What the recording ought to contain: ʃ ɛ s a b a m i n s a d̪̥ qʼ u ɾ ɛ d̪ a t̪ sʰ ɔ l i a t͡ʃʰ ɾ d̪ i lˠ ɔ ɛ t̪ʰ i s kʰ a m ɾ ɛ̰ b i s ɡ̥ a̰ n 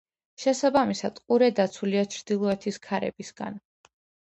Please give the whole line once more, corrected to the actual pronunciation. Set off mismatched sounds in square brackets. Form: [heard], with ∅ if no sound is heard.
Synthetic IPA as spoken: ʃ ɛ s a b a m i [∅] s a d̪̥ qʼ u ɾ ɛ d̪ a t̪ sʰ [u] l i a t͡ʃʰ ɾ d̪ i lˠ ɔ ɛ t̪ʰ i s kʰ a [∅] ɾ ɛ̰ b i s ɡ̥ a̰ n